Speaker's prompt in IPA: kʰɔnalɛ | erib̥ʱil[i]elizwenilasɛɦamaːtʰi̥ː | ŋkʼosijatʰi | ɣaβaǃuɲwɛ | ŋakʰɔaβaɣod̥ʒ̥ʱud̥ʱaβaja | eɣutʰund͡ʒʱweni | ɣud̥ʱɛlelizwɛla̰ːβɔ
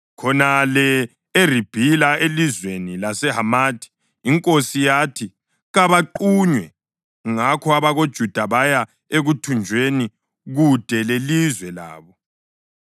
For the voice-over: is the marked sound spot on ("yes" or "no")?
no